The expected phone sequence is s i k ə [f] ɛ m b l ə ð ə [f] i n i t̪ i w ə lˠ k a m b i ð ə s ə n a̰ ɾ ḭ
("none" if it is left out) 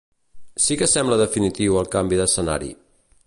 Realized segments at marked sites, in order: s, f

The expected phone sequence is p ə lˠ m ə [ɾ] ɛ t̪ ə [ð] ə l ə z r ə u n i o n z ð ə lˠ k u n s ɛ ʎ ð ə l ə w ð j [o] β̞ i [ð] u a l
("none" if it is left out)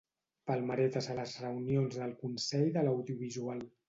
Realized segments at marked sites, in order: ɾ, z, u, z

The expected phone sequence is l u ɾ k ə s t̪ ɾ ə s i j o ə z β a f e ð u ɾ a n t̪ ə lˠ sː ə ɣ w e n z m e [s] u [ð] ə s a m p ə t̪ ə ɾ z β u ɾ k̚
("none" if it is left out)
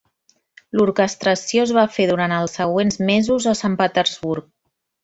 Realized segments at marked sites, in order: z, z

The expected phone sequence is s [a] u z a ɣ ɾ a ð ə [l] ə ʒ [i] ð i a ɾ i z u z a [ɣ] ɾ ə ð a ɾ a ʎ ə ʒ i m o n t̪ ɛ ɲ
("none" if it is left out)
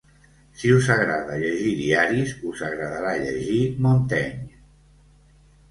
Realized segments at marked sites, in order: i, ʎ, i, ɣ

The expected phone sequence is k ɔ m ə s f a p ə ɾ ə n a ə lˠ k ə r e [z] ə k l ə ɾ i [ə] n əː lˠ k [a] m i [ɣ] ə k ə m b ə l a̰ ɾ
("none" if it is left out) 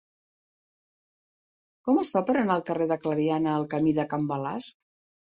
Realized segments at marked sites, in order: ð, a, ə, ð

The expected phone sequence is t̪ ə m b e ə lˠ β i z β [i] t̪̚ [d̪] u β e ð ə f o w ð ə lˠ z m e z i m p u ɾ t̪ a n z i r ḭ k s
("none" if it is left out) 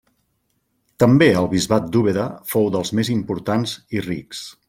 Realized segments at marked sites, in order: a, d̪

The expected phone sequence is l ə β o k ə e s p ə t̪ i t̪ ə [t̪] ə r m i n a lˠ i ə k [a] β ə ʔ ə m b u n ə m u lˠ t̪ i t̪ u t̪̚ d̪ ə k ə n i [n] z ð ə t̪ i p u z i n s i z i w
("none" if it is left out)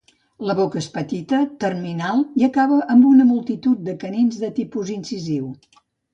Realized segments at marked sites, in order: t̪, a, n

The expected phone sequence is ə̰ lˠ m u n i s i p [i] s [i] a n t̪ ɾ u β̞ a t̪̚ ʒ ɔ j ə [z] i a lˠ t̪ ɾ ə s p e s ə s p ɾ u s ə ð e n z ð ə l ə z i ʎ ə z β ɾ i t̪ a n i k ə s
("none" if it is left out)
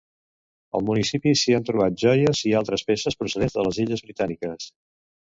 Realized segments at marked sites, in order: i, i, z

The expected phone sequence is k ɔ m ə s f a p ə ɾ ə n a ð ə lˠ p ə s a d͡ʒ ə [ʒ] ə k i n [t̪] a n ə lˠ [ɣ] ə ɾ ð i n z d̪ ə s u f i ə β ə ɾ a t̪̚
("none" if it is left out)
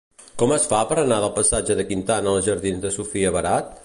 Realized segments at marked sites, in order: ð, t̪, ʒ

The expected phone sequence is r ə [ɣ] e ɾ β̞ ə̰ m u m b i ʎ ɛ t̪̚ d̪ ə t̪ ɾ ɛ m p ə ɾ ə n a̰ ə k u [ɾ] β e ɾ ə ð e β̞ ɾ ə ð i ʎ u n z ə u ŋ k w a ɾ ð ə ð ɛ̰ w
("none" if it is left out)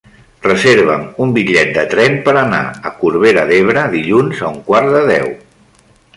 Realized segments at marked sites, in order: z, ɾ

